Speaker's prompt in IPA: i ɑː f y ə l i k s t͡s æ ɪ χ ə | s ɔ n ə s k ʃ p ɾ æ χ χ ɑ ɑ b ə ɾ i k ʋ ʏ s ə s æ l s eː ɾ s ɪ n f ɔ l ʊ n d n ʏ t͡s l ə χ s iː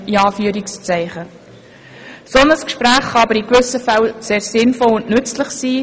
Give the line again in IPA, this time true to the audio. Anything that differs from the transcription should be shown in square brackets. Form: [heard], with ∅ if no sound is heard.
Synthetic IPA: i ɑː f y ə [ɾ] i k s t͡s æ ɪ χ ə | s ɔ n ə s k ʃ p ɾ [æː] χ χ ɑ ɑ b ə ɾ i k ʋ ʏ s ə [f] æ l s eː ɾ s ɪ n f ɔ l ʊ n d n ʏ t͡s l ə χ s iː